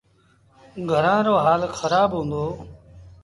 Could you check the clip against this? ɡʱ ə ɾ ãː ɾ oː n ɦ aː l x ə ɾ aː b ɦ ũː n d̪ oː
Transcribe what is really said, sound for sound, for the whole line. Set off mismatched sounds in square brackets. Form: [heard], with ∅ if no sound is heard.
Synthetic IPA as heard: ɡʱ ə ɾ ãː ɾ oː [∅] ɦ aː l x ə ɾ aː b ɦ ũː n d̪ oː